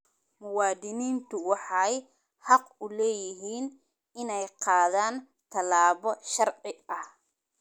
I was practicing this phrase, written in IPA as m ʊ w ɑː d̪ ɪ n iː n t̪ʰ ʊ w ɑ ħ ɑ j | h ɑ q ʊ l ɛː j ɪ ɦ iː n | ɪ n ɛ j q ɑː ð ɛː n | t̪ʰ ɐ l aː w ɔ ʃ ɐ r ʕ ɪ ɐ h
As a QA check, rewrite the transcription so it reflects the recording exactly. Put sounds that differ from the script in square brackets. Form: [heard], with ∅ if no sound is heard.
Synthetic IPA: m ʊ w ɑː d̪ ɪ n iː n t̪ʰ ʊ w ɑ ħ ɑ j | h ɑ q ʊ l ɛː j ɪ ɦ iː n | ɪ n ɛ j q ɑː ð [aː] n | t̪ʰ ɐ l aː [β] ɔ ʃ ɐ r ʕ ɪ ɐ h